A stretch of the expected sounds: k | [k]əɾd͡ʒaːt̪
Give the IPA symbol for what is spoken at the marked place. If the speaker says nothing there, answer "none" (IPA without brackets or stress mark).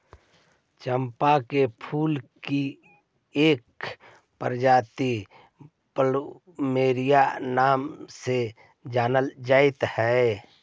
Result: p